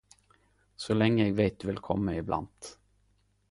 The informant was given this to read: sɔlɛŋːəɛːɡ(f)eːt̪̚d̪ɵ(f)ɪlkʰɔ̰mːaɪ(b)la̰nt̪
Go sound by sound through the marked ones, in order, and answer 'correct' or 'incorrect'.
incorrect, incorrect, correct

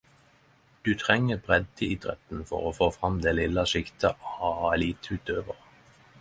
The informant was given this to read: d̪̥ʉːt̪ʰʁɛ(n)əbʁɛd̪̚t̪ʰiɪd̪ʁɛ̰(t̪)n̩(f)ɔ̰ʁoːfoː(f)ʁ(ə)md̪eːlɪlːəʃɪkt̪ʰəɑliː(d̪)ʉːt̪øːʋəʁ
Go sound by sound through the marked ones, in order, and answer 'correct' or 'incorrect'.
incorrect, correct, correct, correct, incorrect, incorrect

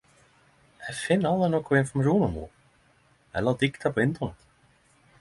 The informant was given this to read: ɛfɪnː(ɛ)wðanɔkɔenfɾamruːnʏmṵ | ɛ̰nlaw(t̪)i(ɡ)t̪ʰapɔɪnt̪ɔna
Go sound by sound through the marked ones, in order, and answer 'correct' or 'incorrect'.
incorrect, correct, incorrect

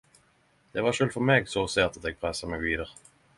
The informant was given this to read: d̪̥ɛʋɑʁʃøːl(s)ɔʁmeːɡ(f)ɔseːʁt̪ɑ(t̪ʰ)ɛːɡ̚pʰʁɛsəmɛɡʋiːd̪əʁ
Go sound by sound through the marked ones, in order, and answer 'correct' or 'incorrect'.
incorrect, incorrect, incorrect

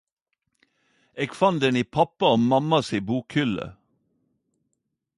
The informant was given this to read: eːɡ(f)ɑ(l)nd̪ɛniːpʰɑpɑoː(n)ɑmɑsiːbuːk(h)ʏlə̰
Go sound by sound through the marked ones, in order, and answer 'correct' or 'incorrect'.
correct, incorrect, incorrect, correct

